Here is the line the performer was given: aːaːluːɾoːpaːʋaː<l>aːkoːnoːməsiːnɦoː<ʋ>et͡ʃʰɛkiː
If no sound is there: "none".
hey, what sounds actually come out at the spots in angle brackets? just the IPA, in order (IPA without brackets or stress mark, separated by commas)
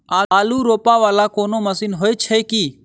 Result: l, none